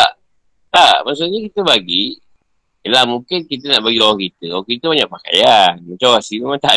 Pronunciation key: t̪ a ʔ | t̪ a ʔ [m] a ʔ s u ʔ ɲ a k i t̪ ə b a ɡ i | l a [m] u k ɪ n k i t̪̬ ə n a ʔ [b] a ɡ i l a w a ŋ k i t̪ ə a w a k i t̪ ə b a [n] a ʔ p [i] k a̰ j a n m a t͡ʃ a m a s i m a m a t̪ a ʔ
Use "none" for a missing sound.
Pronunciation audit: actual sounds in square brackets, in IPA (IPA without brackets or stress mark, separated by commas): m, m, b, ɲ, a